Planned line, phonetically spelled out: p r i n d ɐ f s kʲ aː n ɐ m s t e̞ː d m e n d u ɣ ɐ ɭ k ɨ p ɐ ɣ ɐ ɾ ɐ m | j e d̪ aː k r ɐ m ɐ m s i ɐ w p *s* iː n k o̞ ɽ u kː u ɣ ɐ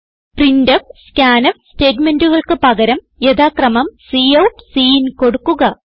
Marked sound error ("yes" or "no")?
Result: no